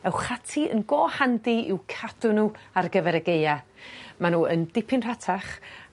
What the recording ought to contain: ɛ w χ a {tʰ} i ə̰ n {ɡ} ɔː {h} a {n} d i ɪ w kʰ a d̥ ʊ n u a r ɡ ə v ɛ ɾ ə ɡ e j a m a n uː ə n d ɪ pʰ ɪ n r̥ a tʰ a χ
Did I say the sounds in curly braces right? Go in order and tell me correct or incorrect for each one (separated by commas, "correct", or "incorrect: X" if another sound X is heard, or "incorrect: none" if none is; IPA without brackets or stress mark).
correct, correct, correct, correct